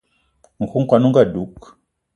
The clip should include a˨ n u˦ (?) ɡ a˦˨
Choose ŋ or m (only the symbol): ŋ